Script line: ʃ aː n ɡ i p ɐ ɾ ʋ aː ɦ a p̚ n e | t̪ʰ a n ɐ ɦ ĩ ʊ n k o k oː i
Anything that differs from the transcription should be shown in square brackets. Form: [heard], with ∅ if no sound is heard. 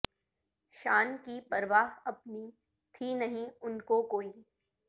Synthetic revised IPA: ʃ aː n [k] i p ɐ ɾ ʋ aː ɦ [ɐ] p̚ n [i] | t̪ʰ [i] n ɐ ɦ ĩ ʊ n k o k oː i